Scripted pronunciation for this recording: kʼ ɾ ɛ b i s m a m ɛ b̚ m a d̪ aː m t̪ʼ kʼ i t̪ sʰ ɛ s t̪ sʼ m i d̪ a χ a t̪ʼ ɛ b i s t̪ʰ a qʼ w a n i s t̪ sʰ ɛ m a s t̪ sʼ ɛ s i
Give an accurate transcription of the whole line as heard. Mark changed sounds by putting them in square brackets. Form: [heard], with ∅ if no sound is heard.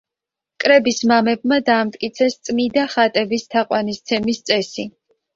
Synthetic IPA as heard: kʼ ɾ ɛ b i s m a m ɛ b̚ m a d̪ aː m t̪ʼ kʼ i t̪ sʰ ɛ s t̪ sʼ m i d̪ a χ a t̪ʼ ɛ b i s t̪ʰ a qʼ w a n i s t̪ sʰ ɛ m [i] s t̪ sʼ ɛ s i